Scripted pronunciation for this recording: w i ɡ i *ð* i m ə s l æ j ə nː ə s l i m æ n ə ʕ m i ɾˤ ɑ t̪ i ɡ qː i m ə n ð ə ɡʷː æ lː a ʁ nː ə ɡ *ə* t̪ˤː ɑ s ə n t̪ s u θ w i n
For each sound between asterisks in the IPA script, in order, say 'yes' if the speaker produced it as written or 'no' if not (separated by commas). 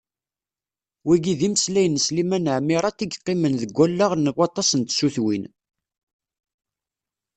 yes, no